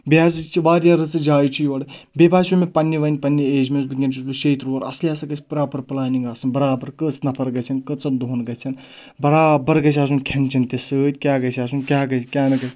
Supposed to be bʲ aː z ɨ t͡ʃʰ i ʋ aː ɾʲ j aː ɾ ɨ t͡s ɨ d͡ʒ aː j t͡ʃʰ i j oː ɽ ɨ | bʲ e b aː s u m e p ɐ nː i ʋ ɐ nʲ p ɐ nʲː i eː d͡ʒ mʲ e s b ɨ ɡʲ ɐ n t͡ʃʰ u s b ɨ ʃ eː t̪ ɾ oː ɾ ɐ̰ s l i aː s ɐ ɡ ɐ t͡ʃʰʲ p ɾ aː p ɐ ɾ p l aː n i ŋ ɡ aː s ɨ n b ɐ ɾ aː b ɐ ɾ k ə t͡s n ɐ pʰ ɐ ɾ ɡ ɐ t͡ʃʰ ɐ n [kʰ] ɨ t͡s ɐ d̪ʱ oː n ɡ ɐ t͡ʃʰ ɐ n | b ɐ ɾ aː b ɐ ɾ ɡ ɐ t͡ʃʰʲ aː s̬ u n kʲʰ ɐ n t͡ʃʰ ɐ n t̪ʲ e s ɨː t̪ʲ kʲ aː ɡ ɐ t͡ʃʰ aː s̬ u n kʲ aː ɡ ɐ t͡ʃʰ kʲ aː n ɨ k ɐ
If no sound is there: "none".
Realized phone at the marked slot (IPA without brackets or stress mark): k